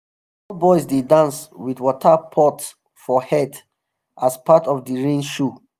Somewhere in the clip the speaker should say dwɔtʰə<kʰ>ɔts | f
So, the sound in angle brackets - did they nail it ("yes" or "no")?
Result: no